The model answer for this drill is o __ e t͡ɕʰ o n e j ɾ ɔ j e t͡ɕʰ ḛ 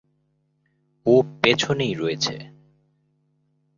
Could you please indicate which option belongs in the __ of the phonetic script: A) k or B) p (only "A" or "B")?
B